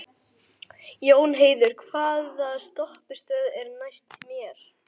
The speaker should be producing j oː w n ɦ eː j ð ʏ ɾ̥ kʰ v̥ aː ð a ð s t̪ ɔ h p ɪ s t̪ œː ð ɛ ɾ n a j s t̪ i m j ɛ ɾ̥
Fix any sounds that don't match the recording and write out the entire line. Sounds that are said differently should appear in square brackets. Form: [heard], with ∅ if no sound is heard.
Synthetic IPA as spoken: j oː w n ɦ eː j ð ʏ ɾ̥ kʰ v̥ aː ð a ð s t̪ ɔ h p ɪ s t̪ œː ð ɛ ɾ n a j s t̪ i m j ɛ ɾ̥